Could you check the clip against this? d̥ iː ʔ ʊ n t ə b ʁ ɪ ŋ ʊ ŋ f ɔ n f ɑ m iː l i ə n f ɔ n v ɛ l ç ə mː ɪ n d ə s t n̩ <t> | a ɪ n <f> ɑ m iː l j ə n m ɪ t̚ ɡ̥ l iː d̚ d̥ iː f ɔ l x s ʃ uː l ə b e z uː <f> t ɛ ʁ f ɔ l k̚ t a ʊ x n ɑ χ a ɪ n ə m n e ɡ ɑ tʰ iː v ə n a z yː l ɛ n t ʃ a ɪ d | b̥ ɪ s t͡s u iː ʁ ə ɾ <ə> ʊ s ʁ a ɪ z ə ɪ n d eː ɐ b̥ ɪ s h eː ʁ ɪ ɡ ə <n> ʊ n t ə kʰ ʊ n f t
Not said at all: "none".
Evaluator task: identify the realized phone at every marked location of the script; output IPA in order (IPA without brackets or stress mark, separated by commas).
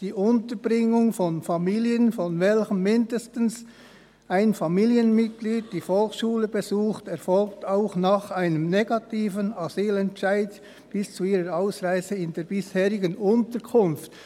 s, f, x, a, n